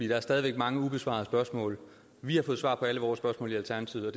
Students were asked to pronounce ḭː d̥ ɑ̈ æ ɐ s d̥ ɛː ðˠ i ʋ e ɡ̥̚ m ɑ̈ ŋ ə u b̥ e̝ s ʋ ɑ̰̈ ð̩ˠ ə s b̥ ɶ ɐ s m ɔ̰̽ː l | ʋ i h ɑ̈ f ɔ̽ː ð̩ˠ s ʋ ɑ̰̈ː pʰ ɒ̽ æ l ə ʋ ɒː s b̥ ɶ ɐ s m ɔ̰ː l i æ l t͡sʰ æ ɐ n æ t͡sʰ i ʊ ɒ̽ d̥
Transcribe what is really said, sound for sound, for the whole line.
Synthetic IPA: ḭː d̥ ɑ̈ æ ɐ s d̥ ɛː ðˠ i ʋ e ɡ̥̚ m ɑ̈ ŋ ə u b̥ e̝ s ʋ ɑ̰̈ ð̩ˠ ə s b̥ ɶ ɐ s m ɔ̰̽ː l | ʋ i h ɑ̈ f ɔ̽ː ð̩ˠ s ʋ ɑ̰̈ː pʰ ɒ̽ æ l ə ʋ ɒː s b̥ ɶ ɐ s m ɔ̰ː l i æ l t͡sʰ æ ɐ n æ t͡sʰ i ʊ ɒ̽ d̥